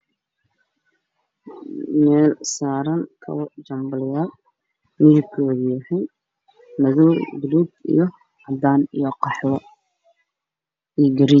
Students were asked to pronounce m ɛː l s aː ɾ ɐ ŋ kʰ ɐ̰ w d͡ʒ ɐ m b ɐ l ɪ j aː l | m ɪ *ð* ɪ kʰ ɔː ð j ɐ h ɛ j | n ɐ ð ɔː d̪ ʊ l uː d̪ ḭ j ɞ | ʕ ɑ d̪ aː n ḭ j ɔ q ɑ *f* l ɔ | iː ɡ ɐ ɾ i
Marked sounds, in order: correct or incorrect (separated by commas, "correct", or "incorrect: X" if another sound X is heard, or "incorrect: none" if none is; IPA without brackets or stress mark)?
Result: correct, incorrect: ħ